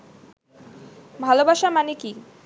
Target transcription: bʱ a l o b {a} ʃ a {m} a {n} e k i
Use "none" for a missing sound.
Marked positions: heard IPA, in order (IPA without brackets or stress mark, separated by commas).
a, m, n